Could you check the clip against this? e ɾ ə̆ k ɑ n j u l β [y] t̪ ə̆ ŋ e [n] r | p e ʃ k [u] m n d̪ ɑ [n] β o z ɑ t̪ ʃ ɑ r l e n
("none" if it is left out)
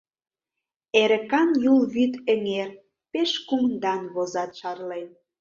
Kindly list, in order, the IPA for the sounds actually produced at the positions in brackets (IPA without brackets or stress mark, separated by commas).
y, none, u, n